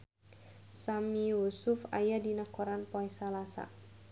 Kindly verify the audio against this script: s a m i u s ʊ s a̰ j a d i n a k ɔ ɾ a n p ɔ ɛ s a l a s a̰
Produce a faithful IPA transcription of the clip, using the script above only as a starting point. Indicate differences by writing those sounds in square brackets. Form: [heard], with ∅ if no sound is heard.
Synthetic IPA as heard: s a m i u s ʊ [f] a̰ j a d i n a k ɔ ɾ a n p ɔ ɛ s a l a s a̰